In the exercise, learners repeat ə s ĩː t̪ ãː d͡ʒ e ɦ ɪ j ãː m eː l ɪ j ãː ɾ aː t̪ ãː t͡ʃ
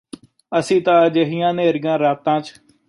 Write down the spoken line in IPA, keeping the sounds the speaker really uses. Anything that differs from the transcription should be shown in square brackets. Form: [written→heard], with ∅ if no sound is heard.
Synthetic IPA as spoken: ə s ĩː t̪ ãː d͡ʒ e ɦ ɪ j ãː [m→n] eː [l→ɾ] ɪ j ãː ɾ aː t̪ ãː t͡ʃ